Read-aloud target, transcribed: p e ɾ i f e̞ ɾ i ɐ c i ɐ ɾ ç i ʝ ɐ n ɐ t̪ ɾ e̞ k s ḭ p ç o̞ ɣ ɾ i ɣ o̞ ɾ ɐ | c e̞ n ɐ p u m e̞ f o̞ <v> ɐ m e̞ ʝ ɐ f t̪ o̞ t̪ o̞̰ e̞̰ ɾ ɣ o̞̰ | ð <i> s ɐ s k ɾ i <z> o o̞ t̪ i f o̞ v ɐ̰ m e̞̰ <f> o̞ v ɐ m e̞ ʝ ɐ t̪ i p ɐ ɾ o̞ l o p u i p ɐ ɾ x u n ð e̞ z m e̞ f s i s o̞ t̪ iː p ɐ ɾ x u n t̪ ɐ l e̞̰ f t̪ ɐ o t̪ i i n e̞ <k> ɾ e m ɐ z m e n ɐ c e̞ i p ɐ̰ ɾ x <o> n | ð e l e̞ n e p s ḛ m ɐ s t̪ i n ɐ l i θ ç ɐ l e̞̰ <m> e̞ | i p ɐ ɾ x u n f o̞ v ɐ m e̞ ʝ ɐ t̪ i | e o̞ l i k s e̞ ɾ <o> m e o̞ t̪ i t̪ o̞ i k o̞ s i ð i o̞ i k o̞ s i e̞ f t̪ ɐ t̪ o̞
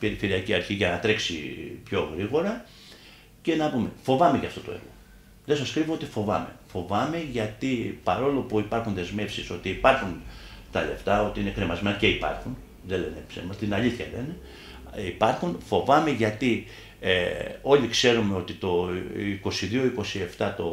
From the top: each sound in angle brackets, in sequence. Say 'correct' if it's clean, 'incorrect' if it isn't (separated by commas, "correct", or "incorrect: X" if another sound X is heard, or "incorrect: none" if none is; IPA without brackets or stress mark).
correct, incorrect: e, incorrect: v, correct, correct, incorrect: u, incorrect: n, incorrect: u